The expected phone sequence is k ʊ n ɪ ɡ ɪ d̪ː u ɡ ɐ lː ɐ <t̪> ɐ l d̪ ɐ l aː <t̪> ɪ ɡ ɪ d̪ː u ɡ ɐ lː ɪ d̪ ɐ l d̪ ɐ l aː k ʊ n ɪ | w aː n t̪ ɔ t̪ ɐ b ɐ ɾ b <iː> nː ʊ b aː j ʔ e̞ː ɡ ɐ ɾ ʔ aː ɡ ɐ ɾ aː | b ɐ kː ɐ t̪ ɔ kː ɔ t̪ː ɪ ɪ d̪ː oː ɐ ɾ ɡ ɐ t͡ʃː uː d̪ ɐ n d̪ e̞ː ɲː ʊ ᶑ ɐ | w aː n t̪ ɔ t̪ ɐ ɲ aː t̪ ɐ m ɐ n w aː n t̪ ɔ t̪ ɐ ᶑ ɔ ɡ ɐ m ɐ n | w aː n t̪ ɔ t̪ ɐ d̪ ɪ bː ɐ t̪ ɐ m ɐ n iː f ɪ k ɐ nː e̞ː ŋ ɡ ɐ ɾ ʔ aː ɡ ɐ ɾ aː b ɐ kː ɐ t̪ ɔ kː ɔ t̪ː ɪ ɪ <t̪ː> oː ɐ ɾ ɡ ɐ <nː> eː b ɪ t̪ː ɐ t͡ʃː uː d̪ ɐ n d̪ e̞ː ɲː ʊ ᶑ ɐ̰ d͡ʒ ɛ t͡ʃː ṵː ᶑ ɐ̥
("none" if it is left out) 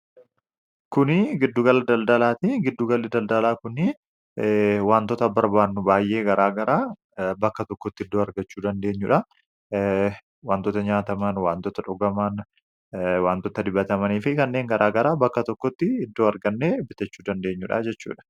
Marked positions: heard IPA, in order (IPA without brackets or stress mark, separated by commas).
d̪, t̪, aː, d̪ː, nː